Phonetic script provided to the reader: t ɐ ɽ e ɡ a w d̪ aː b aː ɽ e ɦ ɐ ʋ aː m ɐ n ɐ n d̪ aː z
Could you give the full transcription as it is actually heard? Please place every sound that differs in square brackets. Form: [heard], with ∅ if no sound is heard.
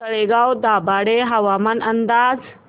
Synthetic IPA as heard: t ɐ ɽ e ɡ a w d̪ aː b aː ɽ e ɦ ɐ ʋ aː m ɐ n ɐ n d̪ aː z